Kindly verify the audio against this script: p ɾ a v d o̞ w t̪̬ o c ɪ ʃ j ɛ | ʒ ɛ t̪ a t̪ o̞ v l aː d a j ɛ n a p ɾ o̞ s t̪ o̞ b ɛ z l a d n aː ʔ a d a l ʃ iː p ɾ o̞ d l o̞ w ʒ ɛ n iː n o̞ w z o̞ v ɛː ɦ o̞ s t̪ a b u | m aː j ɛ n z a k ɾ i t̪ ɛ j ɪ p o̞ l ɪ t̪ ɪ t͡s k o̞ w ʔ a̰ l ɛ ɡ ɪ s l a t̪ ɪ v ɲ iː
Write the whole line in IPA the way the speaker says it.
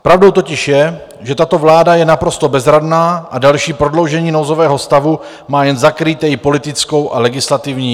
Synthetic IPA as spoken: p ɾ a v d o̞ w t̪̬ o c ɪ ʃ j ɛ | ʒ ɛ t̪ a t̪ o̞ v l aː d a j ɛ n a p ɾ o̞ s t̪ o̞ b ɛ z ɾ a d n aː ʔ a d a l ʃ iː p ɾ o̞ d l o̞ w ʒ ɛ ɲ iː n o̞ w z o̞ v ɛː ɦ o̞ s t̪ a v u | m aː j ɛ n z a k ɾ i t̪ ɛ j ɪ p o̞ l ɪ t̪ ɪ t͡s k o̞ w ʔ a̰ l ɛ ɡ ɪ s l a t̪ ɪ v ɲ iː